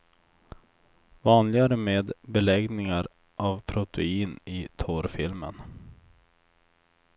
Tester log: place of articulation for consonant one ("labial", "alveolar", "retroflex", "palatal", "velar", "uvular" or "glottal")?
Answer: labial